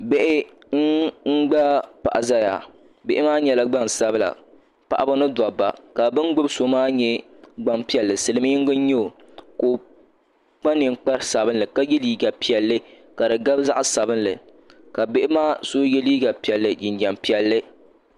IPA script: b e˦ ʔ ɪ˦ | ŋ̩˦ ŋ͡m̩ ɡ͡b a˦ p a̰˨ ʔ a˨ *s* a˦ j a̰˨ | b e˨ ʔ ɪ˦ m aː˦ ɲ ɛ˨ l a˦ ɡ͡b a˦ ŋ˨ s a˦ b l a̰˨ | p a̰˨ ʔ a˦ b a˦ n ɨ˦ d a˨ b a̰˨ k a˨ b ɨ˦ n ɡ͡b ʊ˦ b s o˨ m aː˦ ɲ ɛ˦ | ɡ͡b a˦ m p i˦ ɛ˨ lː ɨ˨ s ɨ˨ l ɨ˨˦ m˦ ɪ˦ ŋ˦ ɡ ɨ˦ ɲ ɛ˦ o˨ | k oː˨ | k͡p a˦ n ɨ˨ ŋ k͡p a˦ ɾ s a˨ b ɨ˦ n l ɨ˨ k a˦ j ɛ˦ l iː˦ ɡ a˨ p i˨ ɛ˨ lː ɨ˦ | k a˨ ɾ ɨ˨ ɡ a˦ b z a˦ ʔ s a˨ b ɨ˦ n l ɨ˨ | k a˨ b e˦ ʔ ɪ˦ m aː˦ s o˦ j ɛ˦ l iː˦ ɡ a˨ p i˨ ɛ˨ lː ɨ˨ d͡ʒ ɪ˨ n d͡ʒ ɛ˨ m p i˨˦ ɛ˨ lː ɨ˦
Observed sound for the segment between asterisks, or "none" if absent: z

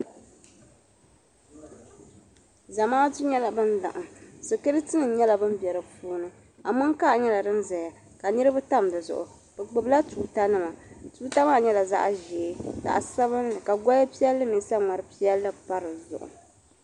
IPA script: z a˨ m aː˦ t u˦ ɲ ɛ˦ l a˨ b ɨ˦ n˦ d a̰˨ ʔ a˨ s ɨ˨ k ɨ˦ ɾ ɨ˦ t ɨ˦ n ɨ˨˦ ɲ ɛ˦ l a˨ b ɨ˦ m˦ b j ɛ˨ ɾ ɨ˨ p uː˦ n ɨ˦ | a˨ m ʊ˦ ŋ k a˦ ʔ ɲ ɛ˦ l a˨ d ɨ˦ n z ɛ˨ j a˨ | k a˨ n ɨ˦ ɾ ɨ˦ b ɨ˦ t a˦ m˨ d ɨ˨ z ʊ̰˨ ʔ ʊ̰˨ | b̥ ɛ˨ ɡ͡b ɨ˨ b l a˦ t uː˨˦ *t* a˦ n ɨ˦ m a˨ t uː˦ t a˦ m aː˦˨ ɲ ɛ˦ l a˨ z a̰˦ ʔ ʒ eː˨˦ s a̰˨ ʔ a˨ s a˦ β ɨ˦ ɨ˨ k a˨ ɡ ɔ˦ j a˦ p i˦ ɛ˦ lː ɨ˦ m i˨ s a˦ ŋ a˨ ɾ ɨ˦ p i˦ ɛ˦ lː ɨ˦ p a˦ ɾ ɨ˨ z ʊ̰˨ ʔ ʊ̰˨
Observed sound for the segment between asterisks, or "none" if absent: t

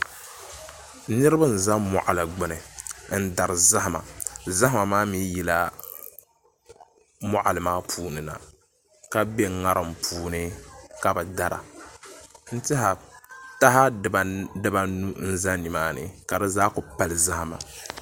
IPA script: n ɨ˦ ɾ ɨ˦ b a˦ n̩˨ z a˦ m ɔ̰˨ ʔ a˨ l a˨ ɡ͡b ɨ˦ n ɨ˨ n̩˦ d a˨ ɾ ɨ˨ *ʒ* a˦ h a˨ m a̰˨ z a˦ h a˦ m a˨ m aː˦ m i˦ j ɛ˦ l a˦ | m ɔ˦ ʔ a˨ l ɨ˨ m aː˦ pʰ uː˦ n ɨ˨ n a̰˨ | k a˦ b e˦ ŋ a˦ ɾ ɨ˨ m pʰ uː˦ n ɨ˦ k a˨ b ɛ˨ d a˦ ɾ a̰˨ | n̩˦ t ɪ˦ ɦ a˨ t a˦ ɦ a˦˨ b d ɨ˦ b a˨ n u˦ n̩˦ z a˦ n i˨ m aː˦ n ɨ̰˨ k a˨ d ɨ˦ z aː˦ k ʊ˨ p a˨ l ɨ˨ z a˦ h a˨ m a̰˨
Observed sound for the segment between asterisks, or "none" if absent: z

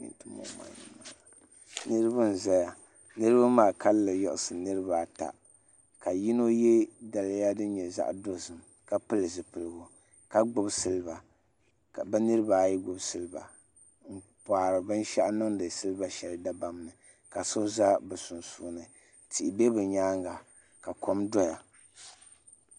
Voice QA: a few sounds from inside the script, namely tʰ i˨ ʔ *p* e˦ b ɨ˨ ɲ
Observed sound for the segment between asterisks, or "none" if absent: b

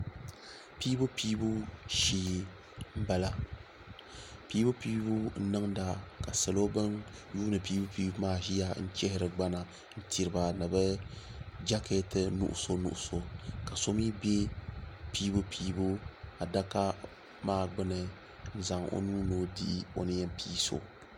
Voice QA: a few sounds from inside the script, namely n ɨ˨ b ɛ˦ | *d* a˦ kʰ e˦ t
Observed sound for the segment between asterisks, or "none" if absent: d͡ʒ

